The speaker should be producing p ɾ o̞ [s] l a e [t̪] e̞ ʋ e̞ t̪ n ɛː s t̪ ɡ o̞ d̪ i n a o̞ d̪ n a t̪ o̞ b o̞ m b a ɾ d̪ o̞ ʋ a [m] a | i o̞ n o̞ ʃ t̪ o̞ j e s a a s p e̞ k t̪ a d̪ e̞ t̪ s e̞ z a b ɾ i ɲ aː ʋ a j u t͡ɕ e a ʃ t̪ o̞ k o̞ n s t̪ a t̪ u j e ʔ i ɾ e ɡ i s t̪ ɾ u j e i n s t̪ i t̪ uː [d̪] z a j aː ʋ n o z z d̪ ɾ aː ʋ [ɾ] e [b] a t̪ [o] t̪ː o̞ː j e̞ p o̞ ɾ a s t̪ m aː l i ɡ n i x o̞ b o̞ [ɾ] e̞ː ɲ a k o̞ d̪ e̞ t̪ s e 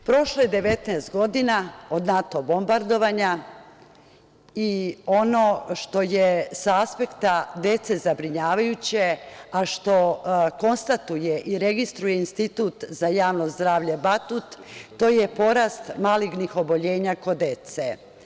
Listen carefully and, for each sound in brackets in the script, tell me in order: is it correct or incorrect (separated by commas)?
incorrect, incorrect, incorrect, incorrect, incorrect, correct, incorrect, incorrect